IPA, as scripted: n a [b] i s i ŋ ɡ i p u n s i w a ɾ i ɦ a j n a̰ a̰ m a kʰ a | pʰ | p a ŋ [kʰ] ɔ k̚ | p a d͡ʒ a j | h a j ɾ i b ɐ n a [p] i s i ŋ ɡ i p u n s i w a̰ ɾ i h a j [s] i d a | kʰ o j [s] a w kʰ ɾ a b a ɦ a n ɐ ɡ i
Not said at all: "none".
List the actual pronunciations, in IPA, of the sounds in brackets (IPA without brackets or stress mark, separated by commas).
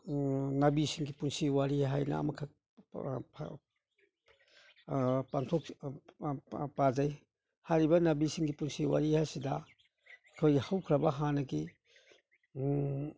b, tʰ, b, s, h